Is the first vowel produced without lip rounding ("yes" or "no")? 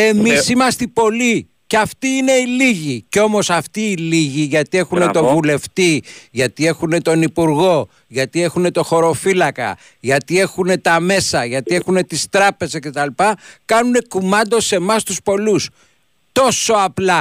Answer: yes